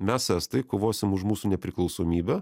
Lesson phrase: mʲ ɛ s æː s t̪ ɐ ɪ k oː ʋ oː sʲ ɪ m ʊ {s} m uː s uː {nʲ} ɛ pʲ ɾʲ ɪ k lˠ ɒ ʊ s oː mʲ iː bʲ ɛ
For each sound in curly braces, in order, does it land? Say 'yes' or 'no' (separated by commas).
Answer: no, yes